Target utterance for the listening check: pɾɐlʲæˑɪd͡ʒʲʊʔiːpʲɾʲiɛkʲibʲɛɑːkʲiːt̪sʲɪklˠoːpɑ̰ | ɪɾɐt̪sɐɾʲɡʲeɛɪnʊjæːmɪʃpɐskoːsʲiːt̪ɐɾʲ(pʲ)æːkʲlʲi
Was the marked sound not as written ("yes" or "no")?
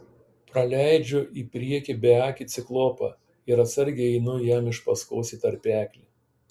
no